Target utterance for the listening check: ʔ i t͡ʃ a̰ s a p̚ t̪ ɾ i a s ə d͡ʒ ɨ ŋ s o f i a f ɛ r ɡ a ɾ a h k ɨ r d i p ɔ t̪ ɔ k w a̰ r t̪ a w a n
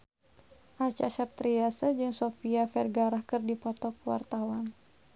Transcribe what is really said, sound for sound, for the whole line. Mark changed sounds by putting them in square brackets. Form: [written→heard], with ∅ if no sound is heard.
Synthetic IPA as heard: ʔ [i→a] t͡ʃ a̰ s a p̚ t̪ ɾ i a s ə d͡ʒ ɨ ŋ s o f i a f ɛ r ɡ a ɾ a h k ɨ r d i p ɔ t̪ ɔ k w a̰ r t̪ a w a n